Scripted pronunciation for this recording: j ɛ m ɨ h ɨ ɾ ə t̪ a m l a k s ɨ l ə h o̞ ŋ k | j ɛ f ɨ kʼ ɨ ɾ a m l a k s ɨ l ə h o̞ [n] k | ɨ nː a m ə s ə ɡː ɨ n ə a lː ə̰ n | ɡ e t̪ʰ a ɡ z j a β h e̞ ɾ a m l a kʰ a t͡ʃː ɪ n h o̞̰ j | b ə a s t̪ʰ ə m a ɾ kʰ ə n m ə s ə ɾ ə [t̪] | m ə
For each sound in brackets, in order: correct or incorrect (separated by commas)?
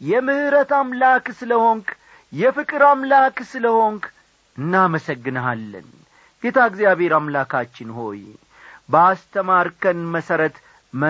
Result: incorrect, correct